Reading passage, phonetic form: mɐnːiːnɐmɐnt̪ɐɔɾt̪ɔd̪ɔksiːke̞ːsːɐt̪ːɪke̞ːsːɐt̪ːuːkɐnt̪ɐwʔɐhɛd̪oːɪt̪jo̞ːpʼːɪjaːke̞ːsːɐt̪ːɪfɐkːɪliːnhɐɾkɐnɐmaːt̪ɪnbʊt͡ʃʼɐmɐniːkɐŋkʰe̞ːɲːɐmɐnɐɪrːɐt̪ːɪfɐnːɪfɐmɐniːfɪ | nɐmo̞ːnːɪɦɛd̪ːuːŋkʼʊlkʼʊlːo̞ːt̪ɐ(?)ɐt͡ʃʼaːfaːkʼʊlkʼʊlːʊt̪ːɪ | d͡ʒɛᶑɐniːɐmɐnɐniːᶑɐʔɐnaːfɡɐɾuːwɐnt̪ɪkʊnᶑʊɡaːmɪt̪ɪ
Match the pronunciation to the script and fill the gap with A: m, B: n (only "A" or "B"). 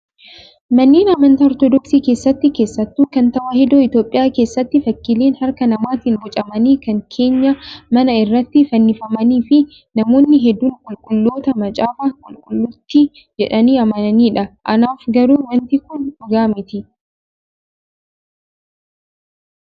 A